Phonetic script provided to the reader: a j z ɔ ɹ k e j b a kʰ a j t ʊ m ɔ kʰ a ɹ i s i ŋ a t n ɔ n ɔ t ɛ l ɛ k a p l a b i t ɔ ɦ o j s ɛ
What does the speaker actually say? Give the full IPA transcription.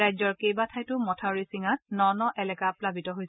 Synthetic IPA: a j z ɔ ɹ k e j b a tʰ a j t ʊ m ɔ tʰ a ɹ i s i ŋ a t n ɔ n ɔ ʔ ɛ l ɛ k a p l a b i t ɔ ɦ o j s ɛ